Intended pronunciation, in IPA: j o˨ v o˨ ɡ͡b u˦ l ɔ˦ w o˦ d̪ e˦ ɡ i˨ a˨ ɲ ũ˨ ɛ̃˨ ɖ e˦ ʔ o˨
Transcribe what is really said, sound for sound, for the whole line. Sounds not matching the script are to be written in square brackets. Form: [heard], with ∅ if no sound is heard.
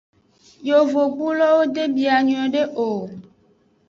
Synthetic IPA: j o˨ v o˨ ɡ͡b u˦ l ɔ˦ w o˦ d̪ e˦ [b] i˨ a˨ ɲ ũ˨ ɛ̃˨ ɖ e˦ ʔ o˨